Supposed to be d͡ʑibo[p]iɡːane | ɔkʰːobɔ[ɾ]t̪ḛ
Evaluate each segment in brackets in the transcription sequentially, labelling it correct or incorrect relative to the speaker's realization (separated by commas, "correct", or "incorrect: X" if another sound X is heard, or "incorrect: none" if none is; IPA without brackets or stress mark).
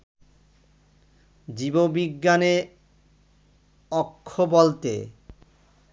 incorrect: b, incorrect: l